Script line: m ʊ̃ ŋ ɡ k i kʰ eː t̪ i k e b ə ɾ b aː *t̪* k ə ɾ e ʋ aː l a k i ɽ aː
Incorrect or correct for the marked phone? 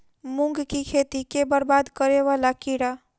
incorrect: d̪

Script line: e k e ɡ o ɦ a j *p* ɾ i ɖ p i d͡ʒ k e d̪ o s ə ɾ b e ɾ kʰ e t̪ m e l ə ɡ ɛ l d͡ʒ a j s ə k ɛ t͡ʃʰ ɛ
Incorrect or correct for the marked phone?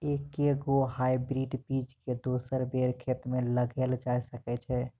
incorrect: b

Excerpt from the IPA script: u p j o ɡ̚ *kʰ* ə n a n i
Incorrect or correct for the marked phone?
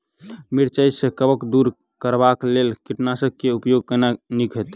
incorrect: k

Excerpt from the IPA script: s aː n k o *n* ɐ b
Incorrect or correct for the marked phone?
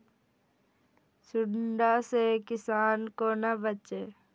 correct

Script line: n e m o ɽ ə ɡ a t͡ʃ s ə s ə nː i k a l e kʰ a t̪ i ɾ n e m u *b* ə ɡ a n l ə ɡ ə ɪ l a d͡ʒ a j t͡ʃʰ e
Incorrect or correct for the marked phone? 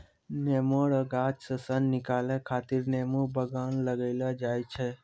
correct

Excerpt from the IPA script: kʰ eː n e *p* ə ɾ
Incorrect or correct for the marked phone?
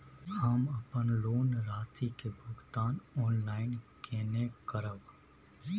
incorrect: k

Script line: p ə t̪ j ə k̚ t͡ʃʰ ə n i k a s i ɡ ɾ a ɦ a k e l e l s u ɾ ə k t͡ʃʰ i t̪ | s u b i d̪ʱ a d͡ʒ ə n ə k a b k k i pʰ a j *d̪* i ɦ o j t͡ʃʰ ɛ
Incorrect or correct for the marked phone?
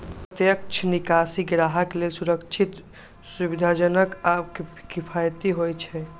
incorrect: t̪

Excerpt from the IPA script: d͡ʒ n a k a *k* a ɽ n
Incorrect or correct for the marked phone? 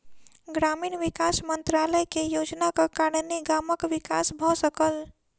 correct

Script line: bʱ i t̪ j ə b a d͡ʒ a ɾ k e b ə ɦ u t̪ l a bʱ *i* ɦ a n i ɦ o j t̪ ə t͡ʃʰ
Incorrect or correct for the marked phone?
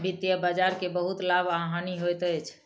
incorrect: a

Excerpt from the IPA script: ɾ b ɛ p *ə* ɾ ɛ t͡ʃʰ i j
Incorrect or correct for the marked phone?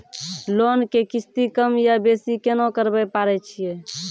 incorrect: a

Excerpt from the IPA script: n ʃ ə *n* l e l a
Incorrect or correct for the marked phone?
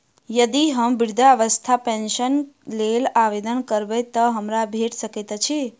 correct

